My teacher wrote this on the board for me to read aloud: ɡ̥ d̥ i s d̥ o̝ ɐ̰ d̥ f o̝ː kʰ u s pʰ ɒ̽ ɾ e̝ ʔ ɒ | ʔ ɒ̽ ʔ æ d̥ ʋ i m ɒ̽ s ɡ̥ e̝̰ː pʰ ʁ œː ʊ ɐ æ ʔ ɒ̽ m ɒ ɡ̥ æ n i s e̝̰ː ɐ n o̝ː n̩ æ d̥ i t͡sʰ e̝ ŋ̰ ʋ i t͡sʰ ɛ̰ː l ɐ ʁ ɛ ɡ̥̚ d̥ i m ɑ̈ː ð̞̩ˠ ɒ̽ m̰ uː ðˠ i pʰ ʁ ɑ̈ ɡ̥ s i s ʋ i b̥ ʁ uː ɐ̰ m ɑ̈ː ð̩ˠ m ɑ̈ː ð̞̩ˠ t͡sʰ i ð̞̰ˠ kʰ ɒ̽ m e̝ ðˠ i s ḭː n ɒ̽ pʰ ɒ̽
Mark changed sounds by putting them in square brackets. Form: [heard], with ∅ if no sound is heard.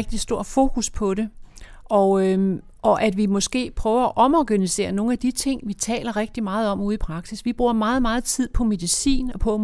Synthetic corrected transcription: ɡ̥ d̥ i s d̥ o̝ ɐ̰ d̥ f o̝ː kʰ u s pʰ ɒ̽ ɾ e̝ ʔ ɒ | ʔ ɒ̽ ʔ æ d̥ ʋ i m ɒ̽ s ɡ̥ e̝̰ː pʰ ʁ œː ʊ ɐ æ ʔ ɒ̽ m ɒ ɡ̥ æ n i s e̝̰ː ɐ n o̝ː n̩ æ d̥ i t͡sʰ e̝ ŋ̰ ʋ i t͡sʰ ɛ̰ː l ɐ ʁ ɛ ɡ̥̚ d̥ i m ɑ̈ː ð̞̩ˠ ɒ̽ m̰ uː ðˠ i pʰ ʁ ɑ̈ ɡ̥ s i s ʋ i b̥ ʁ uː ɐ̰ m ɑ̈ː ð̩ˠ m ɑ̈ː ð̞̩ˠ t͡sʰ i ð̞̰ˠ [pʰ] ɒ̽ m e̝ ðˠ i s ḭː n ɒ̽ pʰ ɒ̽